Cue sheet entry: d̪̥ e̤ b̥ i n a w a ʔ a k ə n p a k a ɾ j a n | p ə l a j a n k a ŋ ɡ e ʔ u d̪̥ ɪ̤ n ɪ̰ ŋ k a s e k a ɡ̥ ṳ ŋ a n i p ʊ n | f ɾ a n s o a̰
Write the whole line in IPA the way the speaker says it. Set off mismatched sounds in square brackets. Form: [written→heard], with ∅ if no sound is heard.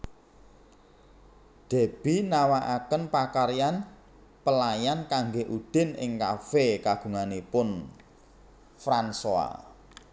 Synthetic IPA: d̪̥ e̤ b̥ i n a w a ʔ a k ə n p a k a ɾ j a n | p ə l a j a n k a ŋ ɡ e ʔ u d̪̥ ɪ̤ n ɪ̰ ŋ k a [s→f] e k a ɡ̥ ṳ ŋ a n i p ʊ n | f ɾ a n s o a̰